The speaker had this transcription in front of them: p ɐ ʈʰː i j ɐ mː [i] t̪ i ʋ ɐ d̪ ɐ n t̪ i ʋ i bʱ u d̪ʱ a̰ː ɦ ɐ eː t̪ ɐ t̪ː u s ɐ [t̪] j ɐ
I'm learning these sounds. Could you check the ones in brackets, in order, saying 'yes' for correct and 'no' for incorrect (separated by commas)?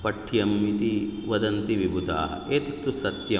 yes, yes